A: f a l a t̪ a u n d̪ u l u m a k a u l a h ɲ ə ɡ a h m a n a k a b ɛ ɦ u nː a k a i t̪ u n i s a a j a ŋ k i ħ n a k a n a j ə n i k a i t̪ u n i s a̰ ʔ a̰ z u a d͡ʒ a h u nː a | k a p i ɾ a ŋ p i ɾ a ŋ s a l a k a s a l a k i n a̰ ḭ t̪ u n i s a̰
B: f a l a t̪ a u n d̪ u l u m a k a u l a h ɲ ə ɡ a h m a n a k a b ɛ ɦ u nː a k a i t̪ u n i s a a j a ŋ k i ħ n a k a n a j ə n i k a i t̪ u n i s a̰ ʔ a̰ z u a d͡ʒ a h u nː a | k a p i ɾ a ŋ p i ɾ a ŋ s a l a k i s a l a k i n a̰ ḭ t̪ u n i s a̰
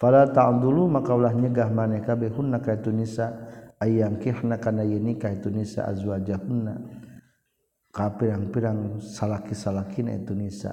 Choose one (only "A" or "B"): B